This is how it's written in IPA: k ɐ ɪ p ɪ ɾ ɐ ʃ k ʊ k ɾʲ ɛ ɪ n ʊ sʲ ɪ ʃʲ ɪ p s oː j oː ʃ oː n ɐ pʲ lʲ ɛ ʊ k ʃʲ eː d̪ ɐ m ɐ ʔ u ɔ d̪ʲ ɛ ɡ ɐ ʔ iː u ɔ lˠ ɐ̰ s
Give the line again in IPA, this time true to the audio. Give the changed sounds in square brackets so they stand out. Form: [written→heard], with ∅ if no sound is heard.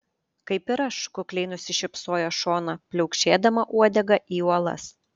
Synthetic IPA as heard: k ɐ ɪ p ɪ ɾ ɐ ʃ k ʊ k [ɾʲ→lʲ] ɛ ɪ n ʊ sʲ ɪ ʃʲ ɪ p s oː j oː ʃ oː n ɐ pʲ lʲ ɛ ʊ k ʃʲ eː d̪ ɐ m ɐ ʔ u ɔ d̪ʲ ɛ ɡ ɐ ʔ iː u ɔ lˠ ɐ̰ s